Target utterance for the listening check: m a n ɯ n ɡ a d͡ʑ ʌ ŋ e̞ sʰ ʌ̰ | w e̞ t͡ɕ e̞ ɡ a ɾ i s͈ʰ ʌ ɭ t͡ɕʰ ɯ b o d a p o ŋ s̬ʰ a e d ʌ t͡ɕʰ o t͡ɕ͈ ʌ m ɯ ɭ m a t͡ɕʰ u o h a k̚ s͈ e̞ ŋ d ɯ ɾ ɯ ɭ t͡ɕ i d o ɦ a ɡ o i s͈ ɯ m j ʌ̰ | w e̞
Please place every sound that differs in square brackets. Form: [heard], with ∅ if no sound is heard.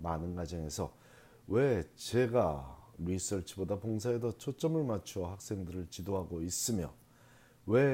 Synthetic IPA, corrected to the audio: m a n ɯ n ɡ a d͡ʑ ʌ ŋ e̞ sʰ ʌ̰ | w e̞ t͡ɕ e̞ ɡ a ɾ i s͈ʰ ʌ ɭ t͡ɕʰ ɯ b o d a p o ŋ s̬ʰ a e d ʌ t͡ɕʰ o t͡ɕ͈ ʌ m ɯ ɭ m a t͡ɕʰ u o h a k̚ s͈ e̞ ŋ d ɯ ɾ ɯ ɭ t͡ɕ i d o ɦ a ɡ o i s͈ ɯ m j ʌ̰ | w e̞